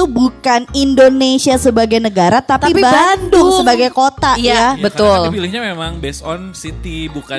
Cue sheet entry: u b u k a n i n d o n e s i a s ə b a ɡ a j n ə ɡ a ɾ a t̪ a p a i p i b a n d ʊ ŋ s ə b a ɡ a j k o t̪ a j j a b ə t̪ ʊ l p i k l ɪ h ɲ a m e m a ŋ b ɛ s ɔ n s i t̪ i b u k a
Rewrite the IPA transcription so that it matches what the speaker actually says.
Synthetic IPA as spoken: u b u k a n i n d o n e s i a s ə b a ɡ a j n ə ɡ a ɾ a t̪ a p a i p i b a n d ʊ ŋ s ə b a ɡ a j k o t̪ a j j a b ə t̪ ʊ l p i l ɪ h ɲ a m e m a ŋ b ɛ s ɔ n s i t̪ i b u k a